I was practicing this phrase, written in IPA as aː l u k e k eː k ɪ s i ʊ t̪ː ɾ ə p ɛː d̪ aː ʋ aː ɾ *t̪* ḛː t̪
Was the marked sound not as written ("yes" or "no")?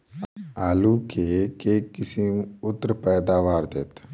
yes